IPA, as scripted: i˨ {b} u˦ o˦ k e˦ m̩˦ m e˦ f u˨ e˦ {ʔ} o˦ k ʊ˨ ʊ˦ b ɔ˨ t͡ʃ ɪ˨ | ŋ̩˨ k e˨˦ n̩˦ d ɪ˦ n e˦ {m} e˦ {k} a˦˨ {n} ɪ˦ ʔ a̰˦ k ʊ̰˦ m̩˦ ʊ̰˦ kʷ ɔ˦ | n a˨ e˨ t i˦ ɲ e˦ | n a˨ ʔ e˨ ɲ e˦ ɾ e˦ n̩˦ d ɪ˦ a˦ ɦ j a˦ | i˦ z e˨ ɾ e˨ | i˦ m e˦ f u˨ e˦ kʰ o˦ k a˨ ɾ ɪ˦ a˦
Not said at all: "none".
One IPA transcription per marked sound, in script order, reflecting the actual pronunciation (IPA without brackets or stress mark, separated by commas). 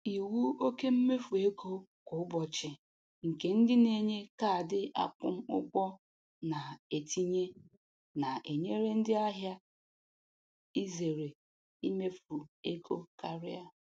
w, k, ɲ, k, d